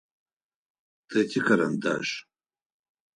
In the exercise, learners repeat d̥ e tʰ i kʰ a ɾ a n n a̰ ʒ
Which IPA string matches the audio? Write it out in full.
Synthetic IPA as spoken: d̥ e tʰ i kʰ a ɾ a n d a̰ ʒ